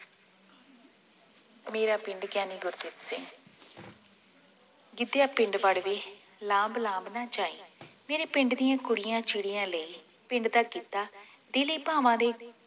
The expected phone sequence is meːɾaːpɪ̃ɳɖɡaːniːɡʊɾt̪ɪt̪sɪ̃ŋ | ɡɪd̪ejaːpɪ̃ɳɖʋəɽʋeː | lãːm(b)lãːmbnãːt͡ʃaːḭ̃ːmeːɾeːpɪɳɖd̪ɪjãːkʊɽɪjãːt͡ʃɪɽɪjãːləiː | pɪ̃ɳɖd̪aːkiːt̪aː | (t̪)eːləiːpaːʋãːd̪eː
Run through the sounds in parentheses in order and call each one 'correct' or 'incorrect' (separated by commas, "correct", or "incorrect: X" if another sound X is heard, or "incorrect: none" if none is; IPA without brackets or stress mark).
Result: correct, incorrect: d̪